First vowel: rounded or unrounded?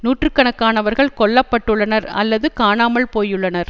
rounded